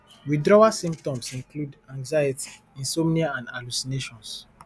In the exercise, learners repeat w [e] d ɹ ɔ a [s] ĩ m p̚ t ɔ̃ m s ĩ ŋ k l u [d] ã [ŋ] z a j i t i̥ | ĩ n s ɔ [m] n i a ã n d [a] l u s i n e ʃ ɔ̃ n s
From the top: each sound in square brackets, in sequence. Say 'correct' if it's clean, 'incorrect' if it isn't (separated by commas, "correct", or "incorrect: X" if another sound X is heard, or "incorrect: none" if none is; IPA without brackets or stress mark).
incorrect: i, correct, correct, correct, correct, correct